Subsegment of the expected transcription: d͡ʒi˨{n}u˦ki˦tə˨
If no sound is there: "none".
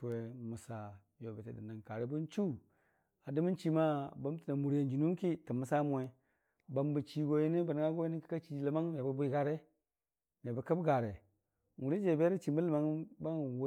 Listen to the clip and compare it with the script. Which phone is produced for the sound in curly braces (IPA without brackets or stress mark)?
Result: n